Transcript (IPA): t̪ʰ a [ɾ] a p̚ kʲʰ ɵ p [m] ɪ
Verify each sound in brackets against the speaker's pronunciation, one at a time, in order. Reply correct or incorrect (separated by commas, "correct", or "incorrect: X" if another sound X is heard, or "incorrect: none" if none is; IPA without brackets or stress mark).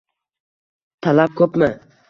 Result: incorrect: l, correct